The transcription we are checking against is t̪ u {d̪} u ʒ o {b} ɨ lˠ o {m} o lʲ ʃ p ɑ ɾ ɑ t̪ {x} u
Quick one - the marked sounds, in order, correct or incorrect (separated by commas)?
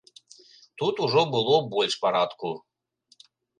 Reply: incorrect, correct, incorrect, incorrect